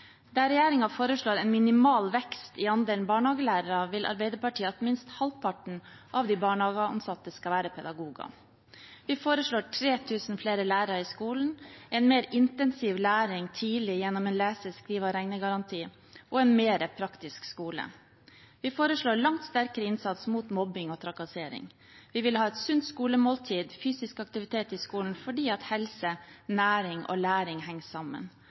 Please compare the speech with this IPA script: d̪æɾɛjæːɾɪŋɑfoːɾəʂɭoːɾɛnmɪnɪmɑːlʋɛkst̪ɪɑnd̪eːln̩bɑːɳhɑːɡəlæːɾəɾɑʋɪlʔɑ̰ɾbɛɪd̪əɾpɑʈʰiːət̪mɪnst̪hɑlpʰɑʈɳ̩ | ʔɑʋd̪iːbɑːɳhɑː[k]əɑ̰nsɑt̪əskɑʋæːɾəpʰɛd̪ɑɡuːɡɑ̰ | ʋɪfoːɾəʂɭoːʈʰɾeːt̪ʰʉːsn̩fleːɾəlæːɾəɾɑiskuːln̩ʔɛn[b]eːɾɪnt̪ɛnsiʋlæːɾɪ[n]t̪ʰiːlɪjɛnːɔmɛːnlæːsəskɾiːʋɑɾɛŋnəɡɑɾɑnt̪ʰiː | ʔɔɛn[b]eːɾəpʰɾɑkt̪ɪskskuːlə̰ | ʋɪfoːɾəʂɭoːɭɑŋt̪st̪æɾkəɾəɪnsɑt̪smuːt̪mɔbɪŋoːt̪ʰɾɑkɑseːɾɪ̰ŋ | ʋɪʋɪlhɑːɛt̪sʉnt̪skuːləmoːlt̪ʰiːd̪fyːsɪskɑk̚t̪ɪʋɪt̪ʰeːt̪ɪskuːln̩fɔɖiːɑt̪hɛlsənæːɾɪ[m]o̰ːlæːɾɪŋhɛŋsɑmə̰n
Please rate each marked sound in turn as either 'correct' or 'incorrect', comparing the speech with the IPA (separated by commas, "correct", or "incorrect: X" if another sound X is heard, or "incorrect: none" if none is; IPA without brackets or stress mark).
incorrect: ɡ, incorrect: m, incorrect: ŋ, incorrect: m, incorrect: ŋ